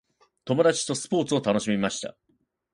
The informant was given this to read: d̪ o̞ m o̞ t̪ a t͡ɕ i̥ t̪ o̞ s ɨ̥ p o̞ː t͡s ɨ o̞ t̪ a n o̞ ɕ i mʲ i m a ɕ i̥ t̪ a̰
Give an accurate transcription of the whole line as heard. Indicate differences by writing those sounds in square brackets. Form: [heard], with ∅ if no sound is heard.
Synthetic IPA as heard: [t̪] o̞ m o̞ [d̪] a t͡ɕ i̥ t̪ o̞ s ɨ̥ p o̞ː t͡s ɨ o̞ t̪ a n o̞ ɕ i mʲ i m a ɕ i̥ t̪ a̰